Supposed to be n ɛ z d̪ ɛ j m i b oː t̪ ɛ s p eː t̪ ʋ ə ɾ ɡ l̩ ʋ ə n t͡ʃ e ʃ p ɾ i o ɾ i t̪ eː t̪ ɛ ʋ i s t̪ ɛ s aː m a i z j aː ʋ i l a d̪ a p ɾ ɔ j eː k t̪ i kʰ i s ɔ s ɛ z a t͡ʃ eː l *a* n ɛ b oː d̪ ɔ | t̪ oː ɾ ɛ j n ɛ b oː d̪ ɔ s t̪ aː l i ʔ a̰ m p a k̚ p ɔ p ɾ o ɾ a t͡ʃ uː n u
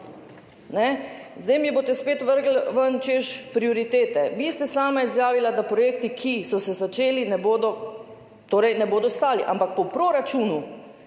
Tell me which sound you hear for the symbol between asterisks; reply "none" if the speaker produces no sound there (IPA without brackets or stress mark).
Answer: i